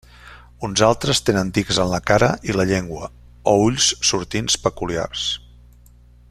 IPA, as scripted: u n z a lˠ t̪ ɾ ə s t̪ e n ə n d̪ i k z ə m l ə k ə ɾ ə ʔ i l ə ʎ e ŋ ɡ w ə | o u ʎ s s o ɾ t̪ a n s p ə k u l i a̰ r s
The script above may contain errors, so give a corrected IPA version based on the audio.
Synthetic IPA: u n z a lˠ t̪ ɾ ə s t̪ e n ə n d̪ i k z ə n l ə k a ɾ ə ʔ i l ə ʎ e ŋ ɡ w ə | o u ʎ s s u ɾ t̪ i n s p ə k u l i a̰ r s